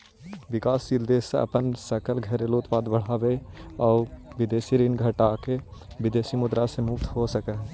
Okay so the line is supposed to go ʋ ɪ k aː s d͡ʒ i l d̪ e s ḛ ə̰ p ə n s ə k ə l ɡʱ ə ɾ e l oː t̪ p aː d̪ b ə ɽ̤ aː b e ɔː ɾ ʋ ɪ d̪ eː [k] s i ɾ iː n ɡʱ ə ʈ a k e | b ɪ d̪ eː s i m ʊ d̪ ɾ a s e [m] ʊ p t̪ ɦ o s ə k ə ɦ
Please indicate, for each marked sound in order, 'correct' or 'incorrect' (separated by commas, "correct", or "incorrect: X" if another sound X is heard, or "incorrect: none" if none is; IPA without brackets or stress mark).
incorrect: none, correct